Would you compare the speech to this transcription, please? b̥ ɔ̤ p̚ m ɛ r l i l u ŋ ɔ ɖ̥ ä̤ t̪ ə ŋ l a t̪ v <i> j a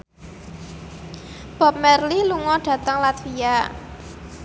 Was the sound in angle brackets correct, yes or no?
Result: yes